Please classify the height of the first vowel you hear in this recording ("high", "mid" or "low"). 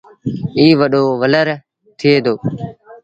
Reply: high